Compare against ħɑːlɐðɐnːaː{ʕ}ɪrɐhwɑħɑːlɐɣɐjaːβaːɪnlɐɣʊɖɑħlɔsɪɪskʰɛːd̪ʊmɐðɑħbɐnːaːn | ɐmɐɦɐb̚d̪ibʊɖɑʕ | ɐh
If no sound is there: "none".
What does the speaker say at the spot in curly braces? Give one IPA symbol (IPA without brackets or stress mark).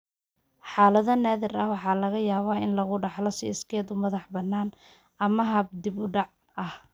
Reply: ð